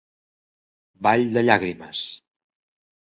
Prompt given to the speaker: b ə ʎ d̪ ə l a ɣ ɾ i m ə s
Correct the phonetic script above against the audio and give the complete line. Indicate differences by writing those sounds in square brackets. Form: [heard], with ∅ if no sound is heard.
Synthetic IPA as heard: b [a] ʎ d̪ ə [ʎ] a ɣ ɾ i m ə s